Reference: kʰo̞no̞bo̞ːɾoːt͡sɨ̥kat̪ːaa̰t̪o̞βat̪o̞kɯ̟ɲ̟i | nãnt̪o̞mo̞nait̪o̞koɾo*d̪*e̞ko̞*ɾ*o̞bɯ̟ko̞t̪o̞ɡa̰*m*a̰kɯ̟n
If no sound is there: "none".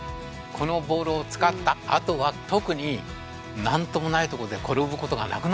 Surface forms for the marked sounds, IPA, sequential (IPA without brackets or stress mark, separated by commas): d̪, ɾ, n